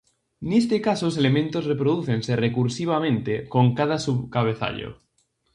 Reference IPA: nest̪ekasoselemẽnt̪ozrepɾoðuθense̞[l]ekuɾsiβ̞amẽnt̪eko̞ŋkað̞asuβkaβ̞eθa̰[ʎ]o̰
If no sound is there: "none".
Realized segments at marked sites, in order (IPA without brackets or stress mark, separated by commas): r, ʎ